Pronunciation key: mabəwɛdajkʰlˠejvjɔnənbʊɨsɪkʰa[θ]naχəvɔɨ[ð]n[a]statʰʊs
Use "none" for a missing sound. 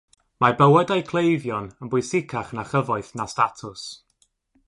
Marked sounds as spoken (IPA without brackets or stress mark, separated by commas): χ, θ, a